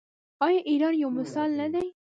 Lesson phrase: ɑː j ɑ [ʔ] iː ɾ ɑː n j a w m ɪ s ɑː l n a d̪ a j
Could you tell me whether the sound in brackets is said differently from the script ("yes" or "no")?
no